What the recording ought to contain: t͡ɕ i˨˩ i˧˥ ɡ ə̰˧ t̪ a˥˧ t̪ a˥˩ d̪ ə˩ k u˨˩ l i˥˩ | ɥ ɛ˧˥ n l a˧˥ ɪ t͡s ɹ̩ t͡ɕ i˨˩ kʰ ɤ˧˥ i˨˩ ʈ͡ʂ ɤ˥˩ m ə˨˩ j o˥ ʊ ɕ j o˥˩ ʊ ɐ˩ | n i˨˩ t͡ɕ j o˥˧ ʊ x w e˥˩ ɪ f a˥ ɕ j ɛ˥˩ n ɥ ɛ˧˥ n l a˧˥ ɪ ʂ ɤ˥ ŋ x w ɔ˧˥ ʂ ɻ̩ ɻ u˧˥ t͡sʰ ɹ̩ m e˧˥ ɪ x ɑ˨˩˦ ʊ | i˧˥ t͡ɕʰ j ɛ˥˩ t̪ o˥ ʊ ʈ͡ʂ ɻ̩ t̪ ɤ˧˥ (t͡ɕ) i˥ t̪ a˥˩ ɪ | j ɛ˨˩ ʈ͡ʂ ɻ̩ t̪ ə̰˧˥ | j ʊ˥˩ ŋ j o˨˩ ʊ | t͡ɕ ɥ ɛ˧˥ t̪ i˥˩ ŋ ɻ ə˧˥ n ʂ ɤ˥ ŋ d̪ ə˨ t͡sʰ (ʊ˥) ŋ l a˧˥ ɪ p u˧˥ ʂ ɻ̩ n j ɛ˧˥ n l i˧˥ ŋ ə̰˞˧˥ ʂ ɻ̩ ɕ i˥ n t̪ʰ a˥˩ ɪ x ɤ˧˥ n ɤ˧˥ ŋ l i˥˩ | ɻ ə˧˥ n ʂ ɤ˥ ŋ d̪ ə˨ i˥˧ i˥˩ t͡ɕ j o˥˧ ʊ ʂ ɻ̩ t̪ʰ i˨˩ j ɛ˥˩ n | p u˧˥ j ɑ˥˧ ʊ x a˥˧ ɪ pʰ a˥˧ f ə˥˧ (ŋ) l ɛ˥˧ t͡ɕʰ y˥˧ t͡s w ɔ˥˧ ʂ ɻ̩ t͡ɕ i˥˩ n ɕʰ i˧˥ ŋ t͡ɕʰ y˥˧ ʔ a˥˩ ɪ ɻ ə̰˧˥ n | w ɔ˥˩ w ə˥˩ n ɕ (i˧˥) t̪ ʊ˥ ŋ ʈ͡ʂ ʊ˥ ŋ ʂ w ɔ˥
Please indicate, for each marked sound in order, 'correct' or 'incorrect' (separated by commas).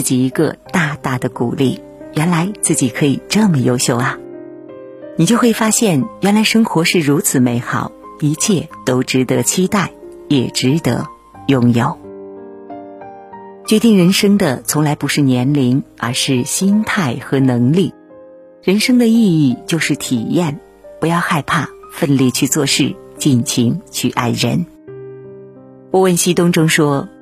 incorrect, incorrect, incorrect, incorrect